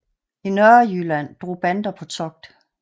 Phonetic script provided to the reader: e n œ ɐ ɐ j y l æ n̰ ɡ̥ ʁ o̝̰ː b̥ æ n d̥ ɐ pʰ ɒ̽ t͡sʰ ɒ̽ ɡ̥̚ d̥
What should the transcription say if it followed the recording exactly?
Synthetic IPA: i n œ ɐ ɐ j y l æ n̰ d̥ ʁ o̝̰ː b̥ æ n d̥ ɐ pʰ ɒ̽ t͡sʰ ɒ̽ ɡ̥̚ d̥

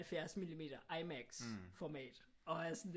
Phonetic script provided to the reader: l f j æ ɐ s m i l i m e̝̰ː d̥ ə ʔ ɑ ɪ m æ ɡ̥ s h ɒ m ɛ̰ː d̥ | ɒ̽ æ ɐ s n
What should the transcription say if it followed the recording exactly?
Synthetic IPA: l f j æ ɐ s m i l i m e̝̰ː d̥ ɐ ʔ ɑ ɪ m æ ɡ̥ s f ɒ m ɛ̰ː d̥ | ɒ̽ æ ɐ s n

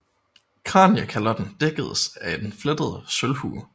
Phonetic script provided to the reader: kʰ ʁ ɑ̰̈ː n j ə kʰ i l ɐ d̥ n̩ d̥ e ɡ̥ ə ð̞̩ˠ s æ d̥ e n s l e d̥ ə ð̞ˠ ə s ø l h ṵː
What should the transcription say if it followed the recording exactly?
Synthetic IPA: kʰ ʁ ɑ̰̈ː n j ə kʰ æ l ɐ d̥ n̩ d̥ e ɡ̥ ə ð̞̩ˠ s æ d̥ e n f l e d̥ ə ð̞ˠ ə s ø l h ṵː

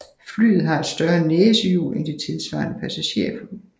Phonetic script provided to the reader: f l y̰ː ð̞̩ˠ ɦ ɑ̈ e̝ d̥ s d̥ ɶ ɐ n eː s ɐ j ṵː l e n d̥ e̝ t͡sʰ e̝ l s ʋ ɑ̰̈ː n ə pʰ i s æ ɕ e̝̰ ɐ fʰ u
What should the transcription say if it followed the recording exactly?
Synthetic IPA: f l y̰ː ð̞̩ˠ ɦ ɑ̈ e̝ d̥ s d̥ ɶ ɐ n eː s ə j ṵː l e n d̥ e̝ t͡sʰ e̝ l s ʋ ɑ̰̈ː n ə pʰ æ s æ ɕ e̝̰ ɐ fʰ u

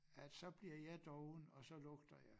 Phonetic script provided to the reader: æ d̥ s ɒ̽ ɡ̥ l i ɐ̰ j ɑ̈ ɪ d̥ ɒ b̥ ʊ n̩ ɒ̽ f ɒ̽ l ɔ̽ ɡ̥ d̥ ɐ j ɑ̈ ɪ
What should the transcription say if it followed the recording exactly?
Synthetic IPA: æ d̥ s ɒ̽ b̥ l i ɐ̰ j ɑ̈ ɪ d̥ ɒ ʊ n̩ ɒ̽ s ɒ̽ l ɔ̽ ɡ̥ d̥ ɐ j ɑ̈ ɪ

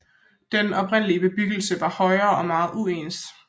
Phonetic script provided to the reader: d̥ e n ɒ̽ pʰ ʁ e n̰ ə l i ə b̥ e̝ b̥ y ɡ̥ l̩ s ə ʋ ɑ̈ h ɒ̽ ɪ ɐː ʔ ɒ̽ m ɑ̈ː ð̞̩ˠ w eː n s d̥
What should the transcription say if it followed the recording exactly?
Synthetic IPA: d̥ e n ɒ̽ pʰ ʁ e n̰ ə l i ə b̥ e̝ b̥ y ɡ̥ l̩ s ə ʋ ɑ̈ h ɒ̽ ɪ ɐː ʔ ɒ̽ m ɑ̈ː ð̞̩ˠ u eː n s d̥

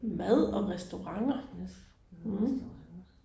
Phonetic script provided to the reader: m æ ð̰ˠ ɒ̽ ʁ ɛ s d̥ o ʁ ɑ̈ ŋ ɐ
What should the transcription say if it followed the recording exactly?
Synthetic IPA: m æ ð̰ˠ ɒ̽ ʁ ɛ s d̥ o ʁ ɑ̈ ŋ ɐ

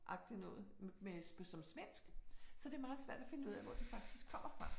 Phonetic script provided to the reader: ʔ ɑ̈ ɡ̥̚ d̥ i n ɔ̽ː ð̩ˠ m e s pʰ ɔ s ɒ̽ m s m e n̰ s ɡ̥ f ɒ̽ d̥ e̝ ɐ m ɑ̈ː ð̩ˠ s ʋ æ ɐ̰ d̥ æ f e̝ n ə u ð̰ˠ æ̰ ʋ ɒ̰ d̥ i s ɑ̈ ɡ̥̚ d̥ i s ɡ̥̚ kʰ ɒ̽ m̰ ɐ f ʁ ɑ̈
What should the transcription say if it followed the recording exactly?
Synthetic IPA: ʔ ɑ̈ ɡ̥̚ d̥ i n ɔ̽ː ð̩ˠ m e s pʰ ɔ s ɒ̽ m s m e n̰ s ɡ̥ s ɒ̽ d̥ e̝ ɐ m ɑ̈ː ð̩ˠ s ʋ æ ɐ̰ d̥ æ f e̝ n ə u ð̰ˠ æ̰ ʋ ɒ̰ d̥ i f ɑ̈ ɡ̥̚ d̥ i s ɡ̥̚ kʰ ɒ̽ m̰ ɐ f ʁ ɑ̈

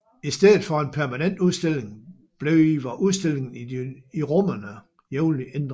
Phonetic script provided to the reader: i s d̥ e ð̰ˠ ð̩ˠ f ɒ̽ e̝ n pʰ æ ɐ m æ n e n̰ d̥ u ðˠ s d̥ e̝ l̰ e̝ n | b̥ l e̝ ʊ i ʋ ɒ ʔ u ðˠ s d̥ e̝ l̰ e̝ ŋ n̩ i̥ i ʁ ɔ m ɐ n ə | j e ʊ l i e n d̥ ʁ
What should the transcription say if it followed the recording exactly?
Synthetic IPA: i s d̥ e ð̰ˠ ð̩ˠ f ɒ̽ e̝ n pʰ æ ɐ m æ n e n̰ d̥ u ðˠ s d̥ e̝ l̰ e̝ ŋ | b̥ l e̝ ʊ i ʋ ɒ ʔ u ðˠ s d̥ e̝ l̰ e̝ ŋ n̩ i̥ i ʁ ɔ m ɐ n ə | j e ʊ l i e n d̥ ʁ

